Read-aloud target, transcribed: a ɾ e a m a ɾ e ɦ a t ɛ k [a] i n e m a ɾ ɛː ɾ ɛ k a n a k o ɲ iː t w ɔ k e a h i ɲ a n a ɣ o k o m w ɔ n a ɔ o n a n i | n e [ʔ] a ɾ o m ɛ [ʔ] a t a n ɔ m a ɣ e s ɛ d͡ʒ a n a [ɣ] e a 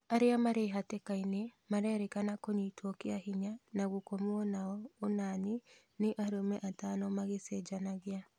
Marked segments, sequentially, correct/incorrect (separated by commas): correct, correct, correct, correct